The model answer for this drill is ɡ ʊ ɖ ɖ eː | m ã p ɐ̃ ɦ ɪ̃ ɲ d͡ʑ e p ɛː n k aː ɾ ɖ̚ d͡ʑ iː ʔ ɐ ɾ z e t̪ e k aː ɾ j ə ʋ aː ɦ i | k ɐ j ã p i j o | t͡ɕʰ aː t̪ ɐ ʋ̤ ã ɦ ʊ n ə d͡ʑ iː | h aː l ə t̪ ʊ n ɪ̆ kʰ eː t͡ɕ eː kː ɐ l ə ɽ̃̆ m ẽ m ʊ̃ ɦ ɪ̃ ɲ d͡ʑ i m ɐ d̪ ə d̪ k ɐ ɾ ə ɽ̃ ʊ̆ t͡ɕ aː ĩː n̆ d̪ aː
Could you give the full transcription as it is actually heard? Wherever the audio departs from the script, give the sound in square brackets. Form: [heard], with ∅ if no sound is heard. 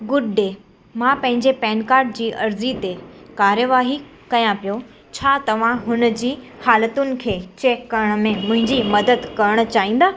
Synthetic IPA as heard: ɡ ʊ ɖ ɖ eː | m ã p ɐ̃ ɦ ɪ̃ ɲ d͡ʑ e p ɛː n k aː ɾ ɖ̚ d͡ʑ iː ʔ ɐ ɾ z [i] t̪ e k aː ɾ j ə ʋ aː ɦ i | k ɐ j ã p i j o | t͡ɕʰ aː t̪ ɐ ʋ̤ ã ɦ ʊ n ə d͡ʑ iː | h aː l ə t̪ ʊ n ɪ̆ kʰ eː t͡ɕ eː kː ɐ [ɾ] ə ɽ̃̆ m ẽ m ʊ̃ ɦ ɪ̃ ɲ d͡ʑ i m ɐ d̪ ə d̪ k ɐ ɾ ə ɽ̃ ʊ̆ t͡ɕ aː ĩː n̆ d̪ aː